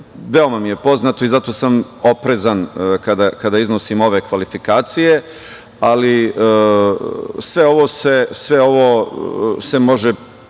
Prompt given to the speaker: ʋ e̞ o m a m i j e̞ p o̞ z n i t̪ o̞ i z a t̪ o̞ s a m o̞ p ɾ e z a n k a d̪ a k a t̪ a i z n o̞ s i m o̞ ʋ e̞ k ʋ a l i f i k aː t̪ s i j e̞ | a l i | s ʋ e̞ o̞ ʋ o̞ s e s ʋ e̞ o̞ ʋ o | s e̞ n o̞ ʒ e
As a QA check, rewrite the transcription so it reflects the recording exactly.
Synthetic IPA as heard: ʋ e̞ o m a m i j e̞ p o̞ z n a t̪ o̞ i z a t̪ o̞ s a m o̞ p ɾ e z a n k a d̪ a k a d̪ a i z n o̞ s i m o̞ ʋ e̞ k ʋ a l i f i k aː t̪ s i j e̞ | a l i | s ʋ e̞ o̞ ʋ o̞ s e s ʋ e̞ o̞ ʋ o | s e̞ m o̞ ʒ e